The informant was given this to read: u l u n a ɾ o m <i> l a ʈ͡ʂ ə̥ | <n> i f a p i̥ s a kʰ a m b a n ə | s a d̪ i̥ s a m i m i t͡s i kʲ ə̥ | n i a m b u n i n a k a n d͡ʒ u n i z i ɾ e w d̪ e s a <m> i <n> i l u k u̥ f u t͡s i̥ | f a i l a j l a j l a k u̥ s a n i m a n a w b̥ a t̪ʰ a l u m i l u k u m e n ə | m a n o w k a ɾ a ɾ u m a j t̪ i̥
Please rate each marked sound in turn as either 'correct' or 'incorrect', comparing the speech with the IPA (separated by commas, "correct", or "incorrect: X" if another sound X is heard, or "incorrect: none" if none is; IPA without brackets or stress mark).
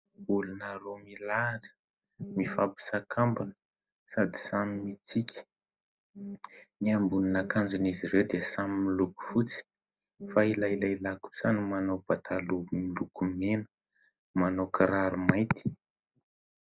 correct, incorrect: m, correct, incorrect: m